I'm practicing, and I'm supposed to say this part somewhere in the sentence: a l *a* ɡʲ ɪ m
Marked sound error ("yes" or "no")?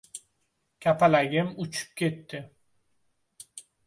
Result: no